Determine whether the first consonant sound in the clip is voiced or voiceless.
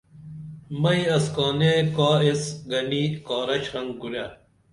voiced